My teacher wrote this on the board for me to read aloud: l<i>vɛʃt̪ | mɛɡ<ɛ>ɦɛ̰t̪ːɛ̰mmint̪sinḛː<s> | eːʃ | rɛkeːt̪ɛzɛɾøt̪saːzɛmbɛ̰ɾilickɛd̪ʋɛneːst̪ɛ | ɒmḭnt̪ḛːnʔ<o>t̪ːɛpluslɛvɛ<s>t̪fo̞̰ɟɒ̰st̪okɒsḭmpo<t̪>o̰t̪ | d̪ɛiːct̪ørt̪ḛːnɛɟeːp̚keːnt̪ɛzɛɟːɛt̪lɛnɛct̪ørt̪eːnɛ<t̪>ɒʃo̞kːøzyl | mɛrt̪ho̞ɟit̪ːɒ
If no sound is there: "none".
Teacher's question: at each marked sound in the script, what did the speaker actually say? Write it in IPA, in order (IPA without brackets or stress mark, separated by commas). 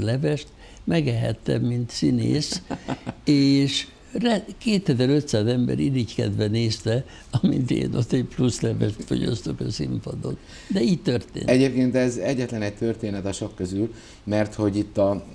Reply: ɛ, ɛ, s, o, ʃ, d̪, t̪